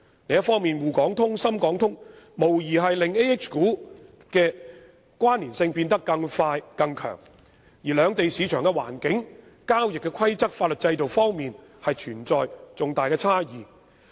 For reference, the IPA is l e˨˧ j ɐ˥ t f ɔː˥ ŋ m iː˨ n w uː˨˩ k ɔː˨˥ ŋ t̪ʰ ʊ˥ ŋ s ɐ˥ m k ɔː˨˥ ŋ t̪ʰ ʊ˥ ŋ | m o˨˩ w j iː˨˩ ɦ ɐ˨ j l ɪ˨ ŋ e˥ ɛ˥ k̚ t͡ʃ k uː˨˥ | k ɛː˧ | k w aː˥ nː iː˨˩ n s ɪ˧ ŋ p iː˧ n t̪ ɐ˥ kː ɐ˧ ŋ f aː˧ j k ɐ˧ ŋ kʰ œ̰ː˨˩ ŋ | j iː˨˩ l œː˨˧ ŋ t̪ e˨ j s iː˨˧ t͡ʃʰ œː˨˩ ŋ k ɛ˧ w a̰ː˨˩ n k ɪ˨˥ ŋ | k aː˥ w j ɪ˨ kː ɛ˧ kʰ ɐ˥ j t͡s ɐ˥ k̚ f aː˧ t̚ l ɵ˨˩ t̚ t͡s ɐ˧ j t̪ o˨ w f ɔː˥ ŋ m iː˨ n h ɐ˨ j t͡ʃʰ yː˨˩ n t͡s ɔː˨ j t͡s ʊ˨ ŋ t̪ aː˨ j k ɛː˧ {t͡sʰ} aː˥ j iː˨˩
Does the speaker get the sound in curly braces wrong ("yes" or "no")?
no